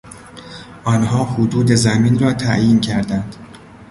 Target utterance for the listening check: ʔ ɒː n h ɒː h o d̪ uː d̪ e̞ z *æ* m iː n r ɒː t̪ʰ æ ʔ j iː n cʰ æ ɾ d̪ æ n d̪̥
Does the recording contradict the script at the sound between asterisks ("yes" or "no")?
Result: no